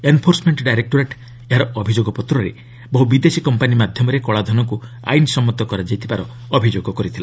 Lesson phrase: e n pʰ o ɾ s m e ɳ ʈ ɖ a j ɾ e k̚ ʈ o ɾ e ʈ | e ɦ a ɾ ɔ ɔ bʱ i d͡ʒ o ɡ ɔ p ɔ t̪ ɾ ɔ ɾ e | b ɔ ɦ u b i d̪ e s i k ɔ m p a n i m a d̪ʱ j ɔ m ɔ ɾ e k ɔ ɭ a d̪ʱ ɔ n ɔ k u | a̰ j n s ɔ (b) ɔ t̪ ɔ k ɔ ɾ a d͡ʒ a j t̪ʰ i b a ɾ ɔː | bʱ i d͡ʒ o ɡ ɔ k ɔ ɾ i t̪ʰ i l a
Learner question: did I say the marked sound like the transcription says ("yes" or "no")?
no